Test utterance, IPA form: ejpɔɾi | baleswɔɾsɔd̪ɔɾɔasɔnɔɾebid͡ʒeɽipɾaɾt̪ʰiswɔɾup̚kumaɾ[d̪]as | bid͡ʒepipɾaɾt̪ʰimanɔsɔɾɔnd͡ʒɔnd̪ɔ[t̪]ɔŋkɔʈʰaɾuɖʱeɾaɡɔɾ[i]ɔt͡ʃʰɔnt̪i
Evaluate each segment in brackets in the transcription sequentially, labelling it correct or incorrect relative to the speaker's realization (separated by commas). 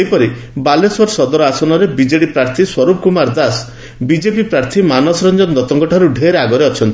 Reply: correct, correct, incorrect